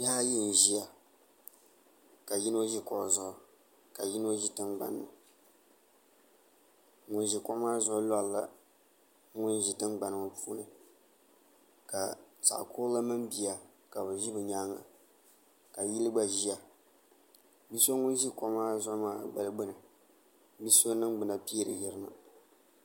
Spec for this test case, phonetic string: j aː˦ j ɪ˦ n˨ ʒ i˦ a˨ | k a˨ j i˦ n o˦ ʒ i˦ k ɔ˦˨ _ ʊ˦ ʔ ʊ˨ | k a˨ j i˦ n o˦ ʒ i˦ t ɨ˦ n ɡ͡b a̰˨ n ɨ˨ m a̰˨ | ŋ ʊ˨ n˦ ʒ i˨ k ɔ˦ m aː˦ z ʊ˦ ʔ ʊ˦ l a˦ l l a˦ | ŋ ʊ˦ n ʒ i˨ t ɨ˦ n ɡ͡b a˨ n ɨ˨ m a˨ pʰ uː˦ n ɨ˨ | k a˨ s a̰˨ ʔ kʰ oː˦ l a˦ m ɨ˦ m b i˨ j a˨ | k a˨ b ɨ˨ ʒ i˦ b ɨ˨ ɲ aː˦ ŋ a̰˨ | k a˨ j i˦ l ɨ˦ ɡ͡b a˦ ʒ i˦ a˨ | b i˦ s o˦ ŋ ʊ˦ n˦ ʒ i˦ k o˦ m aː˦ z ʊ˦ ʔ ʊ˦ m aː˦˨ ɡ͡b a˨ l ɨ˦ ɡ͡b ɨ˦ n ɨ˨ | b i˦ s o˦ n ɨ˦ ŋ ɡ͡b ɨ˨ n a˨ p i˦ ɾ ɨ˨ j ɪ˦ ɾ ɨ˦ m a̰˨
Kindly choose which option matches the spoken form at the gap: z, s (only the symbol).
z